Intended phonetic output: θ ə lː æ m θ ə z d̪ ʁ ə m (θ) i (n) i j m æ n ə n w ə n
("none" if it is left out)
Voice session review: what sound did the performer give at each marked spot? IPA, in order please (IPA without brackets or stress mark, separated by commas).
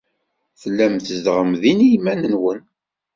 ð, n